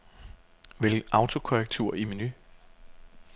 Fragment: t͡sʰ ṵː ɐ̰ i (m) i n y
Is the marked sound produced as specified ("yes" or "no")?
yes